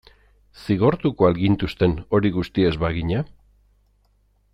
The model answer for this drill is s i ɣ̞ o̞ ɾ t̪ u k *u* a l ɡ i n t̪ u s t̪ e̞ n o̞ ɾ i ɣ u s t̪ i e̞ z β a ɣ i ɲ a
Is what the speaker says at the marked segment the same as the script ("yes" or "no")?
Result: no